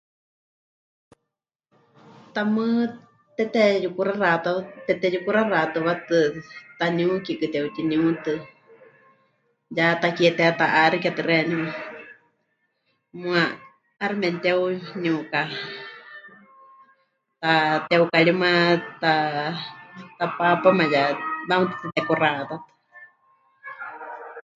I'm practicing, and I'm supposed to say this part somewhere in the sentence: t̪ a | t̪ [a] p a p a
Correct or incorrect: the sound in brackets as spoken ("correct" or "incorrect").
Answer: correct